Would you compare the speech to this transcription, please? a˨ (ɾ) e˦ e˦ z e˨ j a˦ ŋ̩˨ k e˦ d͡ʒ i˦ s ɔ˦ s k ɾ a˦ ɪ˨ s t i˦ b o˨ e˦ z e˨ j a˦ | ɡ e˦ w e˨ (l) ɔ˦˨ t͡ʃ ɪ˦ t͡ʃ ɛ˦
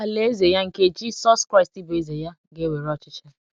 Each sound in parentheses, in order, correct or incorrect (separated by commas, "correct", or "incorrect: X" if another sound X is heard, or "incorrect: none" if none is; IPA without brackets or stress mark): incorrect: l, incorrect: ɾ